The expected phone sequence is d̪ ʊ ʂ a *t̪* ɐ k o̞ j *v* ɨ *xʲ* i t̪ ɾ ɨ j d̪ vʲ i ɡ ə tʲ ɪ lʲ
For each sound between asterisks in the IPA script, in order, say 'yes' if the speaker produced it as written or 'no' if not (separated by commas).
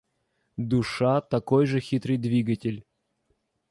yes, no, yes